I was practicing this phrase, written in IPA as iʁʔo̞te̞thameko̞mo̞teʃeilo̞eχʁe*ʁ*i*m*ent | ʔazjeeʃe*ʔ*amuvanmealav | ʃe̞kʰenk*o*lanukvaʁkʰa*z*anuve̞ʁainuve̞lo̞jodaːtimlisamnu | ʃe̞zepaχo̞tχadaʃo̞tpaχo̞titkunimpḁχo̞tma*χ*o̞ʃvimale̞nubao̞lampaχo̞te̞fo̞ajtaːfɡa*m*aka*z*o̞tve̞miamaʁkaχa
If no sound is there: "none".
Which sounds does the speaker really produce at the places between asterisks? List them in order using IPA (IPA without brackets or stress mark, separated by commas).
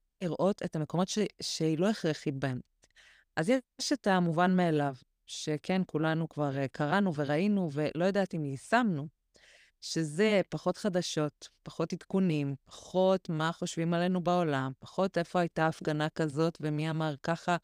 χ, b, t, u, ʁ, χ, n, z